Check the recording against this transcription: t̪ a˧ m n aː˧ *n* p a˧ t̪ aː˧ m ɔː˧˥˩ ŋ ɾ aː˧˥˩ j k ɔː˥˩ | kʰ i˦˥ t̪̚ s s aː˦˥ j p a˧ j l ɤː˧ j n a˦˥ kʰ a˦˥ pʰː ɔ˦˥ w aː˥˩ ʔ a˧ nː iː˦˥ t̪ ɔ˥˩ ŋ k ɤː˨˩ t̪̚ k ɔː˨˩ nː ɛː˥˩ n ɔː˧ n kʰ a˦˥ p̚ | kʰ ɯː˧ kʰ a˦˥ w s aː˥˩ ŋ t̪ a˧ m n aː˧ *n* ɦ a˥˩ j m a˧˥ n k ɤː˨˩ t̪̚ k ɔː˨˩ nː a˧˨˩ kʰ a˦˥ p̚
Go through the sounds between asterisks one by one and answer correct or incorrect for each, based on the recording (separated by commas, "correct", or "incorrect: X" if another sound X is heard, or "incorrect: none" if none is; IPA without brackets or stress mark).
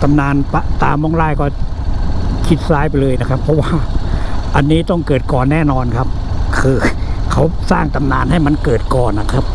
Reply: correct, correct